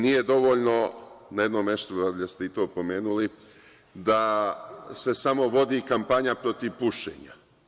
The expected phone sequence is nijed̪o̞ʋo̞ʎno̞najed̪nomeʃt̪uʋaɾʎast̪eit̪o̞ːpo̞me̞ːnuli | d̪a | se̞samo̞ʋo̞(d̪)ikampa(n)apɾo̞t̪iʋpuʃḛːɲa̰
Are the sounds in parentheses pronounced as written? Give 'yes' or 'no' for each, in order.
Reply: yes, no

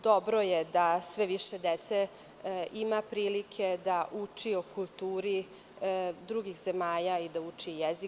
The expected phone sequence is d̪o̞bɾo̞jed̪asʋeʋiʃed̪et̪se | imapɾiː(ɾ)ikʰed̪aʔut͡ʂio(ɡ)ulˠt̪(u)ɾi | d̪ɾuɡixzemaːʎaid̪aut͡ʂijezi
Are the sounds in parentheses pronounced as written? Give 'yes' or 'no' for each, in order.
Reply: no, no, no

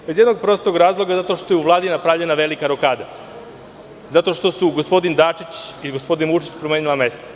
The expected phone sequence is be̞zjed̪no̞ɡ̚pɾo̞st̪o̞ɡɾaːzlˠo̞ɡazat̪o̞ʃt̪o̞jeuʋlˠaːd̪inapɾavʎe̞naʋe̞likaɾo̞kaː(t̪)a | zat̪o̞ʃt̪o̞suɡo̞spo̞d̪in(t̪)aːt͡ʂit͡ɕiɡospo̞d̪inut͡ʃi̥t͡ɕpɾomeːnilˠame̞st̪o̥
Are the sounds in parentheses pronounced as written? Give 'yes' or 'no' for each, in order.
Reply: no, no

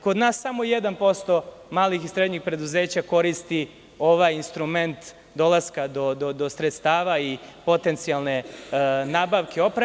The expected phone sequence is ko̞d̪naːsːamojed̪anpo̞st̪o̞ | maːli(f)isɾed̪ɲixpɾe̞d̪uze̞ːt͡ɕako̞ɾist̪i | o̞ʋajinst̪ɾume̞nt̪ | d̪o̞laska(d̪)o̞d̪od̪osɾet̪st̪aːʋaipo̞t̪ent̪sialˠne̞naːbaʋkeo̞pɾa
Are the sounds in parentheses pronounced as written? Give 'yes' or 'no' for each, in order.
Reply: no, yes

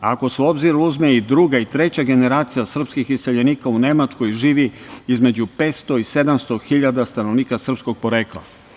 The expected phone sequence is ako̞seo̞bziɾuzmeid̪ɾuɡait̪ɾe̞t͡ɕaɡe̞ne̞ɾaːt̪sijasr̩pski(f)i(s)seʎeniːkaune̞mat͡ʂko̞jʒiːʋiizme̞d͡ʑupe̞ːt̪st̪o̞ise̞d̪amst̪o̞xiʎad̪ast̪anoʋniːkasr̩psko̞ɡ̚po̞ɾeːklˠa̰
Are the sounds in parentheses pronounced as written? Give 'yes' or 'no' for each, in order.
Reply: no, yes

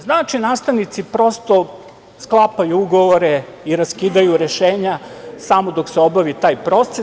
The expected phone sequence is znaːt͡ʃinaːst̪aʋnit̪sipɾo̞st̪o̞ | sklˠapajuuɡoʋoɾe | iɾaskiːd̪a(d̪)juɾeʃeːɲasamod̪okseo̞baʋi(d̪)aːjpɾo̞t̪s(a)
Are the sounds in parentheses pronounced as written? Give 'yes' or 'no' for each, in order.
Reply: no, no, no

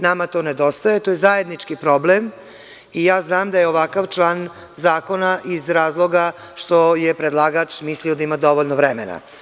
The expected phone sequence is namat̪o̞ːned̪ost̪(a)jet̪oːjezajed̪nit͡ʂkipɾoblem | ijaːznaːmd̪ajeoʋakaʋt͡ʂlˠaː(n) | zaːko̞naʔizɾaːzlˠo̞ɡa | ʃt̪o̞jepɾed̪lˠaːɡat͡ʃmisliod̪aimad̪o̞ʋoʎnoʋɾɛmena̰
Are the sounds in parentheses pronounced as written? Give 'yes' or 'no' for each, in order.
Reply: yes, yes

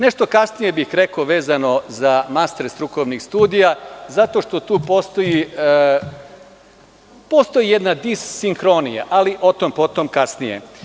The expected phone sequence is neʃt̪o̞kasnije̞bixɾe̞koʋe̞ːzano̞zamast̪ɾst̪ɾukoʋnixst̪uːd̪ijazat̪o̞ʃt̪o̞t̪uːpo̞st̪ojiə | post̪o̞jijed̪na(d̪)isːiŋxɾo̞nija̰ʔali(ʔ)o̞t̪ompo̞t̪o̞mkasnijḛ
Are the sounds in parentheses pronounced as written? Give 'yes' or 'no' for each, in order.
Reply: yes, yes

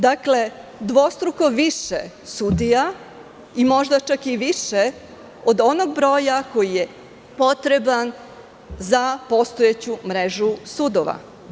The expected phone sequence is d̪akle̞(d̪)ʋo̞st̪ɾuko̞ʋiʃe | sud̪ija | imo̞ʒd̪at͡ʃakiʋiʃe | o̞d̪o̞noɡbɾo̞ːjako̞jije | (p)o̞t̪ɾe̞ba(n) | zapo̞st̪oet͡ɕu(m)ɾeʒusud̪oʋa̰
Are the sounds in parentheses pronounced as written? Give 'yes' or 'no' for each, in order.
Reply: yes, yes, yes, yes

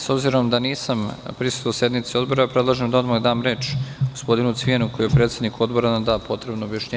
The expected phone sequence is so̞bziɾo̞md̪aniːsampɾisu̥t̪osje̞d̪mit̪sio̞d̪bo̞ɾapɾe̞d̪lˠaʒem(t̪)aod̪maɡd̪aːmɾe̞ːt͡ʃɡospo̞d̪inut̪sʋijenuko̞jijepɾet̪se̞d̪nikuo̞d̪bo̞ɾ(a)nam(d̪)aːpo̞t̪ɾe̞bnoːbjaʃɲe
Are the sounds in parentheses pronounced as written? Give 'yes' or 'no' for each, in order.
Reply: no, yes, yes

